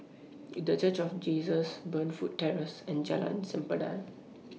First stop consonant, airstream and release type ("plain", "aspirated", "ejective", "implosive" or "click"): plain